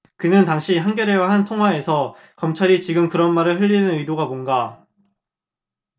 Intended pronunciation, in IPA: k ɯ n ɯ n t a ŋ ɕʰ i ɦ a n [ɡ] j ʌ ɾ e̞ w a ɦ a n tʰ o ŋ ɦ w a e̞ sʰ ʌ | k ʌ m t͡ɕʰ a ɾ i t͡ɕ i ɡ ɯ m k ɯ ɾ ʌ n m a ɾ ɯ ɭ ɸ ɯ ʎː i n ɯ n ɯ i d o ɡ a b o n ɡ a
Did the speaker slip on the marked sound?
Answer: no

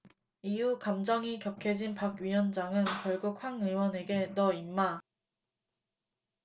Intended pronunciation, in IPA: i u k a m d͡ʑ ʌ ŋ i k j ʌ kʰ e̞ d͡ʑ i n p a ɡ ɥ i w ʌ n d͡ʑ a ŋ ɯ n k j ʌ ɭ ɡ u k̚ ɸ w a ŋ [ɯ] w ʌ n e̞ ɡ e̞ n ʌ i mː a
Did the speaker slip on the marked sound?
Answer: no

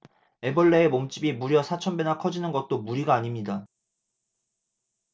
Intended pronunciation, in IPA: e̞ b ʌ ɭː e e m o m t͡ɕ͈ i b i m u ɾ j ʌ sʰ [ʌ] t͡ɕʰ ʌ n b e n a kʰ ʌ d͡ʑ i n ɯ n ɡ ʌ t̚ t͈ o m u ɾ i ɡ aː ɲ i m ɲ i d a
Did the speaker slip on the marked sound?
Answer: yes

